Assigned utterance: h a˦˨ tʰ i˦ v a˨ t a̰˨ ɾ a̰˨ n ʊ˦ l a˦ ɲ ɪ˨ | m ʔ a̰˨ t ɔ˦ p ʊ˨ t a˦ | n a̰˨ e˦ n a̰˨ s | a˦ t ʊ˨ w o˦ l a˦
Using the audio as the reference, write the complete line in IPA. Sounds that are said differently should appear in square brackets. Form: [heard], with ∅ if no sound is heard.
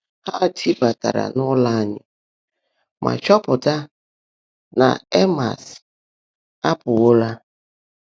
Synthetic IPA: h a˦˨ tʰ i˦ [b] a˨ t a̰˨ ɾ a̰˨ n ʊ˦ l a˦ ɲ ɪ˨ | m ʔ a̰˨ [t͡ʃ] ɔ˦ p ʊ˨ t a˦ | n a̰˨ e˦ [m] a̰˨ s | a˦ [p] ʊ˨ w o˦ l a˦

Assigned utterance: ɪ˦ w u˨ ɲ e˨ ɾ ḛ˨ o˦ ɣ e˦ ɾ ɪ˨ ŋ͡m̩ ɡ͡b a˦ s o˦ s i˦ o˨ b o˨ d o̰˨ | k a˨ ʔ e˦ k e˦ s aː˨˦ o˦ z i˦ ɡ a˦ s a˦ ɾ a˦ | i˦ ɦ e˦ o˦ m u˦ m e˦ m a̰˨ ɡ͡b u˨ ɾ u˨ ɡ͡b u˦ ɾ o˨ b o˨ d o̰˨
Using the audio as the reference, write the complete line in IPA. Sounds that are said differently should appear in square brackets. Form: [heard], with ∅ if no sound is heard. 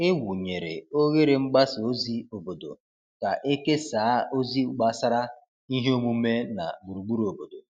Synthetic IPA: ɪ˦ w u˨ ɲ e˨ ɾ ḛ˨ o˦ ɣ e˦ ɾ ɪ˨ ŋ͡m̩ ɡ͡b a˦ s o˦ [z] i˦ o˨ b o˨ d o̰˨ | k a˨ ʔ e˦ k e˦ s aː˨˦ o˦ z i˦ [ɡ͡b] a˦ s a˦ ɾ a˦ | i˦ ɦ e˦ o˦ m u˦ m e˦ [n] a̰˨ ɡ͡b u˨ ɾ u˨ ɡ͡b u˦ ɾ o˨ b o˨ d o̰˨

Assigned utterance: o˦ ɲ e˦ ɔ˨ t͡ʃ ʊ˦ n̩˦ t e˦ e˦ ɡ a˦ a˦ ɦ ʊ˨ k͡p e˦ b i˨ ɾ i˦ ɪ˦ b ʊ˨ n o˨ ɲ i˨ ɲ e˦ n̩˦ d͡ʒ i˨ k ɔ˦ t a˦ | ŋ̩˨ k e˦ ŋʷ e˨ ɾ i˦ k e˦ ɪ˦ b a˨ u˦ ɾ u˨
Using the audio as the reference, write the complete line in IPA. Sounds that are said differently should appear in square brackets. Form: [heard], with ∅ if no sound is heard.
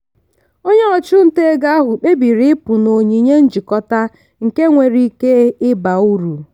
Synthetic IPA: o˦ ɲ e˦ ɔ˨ t͡ʃ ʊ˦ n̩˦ t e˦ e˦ ɡ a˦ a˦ ɦ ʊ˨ k͡p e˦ b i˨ ɾ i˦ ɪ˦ [p] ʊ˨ n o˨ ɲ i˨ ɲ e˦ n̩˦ d͡ʒ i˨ k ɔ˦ t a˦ | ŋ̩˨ k e˦ ŋʷ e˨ ɾ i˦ k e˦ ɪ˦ b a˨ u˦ ɾ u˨

